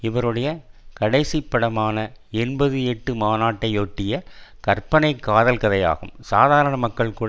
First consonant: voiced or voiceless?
voiced